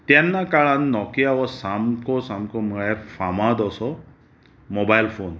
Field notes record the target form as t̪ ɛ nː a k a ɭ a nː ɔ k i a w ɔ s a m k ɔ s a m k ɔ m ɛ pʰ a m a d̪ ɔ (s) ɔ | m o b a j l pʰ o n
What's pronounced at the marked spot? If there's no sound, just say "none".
s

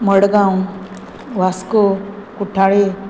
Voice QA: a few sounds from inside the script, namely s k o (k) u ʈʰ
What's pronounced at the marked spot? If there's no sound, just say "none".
k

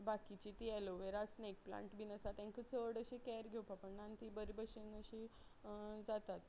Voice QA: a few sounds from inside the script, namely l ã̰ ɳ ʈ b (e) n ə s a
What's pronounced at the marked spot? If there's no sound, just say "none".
i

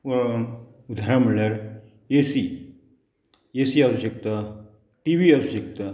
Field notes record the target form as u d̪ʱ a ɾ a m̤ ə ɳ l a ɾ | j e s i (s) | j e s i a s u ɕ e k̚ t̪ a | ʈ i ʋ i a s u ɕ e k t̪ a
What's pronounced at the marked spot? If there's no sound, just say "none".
none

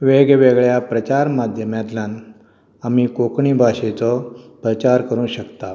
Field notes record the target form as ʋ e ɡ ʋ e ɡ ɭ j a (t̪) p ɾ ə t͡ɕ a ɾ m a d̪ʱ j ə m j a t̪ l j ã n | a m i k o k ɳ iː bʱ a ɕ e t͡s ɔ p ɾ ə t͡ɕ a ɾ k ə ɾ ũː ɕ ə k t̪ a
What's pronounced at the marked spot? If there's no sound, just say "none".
none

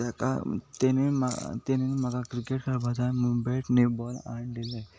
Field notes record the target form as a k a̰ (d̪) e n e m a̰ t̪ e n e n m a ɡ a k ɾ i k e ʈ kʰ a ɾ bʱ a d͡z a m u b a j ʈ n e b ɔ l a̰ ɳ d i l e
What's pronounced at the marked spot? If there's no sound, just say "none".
t̪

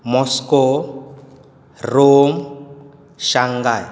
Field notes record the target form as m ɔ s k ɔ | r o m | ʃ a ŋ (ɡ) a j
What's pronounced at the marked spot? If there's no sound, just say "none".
ɡ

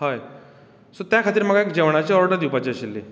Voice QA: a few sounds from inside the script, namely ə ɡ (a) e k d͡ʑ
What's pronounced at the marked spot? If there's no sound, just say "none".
a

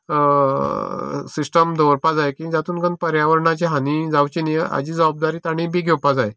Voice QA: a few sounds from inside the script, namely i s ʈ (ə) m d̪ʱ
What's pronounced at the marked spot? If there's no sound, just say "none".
ə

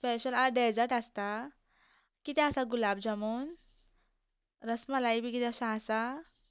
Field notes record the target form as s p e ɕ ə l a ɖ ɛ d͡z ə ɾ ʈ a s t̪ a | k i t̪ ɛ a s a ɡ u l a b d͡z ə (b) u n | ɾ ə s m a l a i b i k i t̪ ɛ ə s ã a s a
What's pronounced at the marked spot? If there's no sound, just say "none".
m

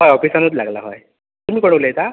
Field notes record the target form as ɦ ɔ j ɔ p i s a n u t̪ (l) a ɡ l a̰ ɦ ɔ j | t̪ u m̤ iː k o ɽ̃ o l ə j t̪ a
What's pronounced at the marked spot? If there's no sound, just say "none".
l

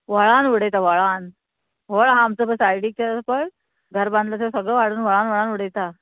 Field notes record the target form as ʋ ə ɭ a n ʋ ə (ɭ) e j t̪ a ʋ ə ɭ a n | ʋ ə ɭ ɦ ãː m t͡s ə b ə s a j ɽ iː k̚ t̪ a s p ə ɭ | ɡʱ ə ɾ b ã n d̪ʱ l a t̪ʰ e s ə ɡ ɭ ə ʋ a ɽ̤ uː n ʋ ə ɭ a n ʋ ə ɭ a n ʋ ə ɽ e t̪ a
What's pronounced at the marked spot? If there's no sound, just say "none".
ɽ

